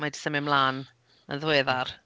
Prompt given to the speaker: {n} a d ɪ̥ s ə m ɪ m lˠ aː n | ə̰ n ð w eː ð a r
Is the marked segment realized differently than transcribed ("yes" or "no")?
yes